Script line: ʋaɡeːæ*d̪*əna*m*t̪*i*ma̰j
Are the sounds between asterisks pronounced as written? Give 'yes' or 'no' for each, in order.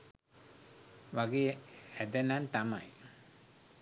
yes, no, no

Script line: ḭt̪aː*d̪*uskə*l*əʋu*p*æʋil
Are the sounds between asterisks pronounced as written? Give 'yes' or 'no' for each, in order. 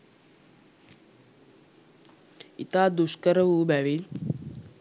yes, no, no

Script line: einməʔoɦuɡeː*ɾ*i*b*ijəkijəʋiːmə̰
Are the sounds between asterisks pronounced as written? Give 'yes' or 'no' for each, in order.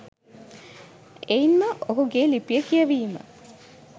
no, no

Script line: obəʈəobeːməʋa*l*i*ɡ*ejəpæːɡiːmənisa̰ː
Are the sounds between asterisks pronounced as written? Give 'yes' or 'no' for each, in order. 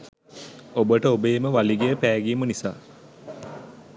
yes, yes

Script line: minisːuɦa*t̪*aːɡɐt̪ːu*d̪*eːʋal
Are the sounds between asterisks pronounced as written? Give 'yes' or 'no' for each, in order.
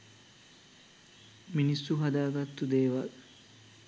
no, yes

